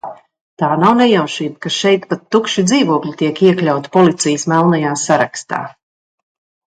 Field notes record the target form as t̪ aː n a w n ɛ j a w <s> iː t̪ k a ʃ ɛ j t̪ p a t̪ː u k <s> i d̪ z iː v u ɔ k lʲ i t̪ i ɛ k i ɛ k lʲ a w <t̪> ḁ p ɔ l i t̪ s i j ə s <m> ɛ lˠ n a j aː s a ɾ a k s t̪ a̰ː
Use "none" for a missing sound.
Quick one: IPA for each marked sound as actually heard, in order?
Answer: ʃ, ʃ, t̪, m

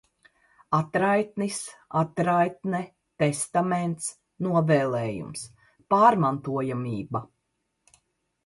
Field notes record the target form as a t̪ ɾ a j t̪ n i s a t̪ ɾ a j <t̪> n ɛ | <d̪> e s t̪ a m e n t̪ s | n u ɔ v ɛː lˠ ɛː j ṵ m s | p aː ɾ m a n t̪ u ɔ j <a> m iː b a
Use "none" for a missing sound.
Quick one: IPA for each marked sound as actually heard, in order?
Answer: t̪, t̪, a

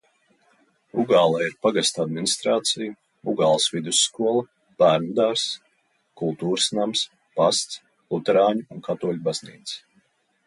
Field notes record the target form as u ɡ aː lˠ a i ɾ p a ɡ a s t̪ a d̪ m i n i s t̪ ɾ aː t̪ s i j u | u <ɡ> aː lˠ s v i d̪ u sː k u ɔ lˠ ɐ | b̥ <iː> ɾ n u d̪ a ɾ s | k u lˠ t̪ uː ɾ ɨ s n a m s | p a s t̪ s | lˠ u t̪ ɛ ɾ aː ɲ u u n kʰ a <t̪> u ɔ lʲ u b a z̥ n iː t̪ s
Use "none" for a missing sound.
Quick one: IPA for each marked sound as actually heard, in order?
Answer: ɡ, æː, t̪

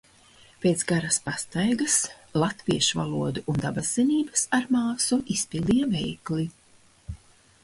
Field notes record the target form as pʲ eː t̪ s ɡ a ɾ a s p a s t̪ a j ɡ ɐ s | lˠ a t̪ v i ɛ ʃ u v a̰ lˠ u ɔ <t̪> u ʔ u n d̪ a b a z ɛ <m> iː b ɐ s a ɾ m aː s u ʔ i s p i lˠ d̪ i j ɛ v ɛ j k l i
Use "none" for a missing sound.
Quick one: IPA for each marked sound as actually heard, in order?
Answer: d̪, n

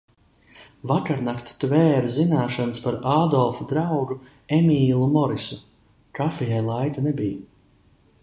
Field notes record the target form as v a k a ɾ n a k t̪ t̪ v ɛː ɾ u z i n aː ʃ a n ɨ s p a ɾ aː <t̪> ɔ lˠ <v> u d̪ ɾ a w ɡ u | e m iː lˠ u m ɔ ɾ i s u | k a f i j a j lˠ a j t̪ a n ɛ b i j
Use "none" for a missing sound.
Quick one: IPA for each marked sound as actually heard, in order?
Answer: d̪, f

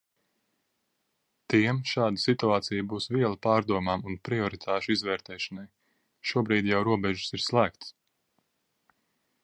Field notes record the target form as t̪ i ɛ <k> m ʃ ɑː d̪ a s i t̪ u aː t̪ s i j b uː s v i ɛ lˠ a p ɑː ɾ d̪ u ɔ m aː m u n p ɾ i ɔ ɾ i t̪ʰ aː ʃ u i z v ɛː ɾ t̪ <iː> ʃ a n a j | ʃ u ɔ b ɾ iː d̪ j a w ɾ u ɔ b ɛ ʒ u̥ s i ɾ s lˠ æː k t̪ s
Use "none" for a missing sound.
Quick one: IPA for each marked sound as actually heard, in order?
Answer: none, ɛː

